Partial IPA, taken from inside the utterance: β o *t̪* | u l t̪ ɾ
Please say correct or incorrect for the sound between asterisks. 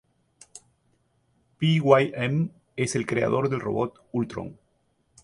correct